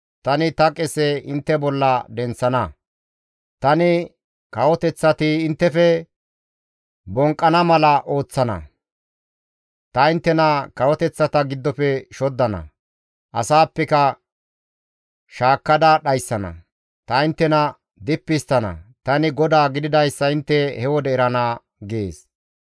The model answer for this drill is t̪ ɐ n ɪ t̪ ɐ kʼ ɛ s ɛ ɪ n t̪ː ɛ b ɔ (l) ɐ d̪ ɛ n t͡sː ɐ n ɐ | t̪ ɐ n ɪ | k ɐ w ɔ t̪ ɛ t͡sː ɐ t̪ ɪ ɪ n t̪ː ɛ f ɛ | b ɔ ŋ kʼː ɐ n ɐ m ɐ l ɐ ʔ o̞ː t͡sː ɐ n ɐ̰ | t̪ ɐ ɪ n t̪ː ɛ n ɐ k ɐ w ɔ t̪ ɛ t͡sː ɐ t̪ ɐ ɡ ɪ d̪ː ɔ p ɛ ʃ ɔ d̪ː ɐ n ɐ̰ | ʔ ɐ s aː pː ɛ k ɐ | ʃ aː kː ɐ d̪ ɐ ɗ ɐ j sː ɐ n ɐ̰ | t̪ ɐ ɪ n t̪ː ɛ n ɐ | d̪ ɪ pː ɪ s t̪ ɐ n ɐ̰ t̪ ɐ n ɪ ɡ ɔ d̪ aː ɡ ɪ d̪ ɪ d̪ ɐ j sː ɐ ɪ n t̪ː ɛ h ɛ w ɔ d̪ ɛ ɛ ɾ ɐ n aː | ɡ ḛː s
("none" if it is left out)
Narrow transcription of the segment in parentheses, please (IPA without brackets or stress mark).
lː